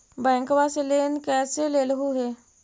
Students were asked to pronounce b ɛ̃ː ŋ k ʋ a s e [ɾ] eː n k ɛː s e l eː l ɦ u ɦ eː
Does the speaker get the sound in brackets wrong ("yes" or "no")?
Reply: yes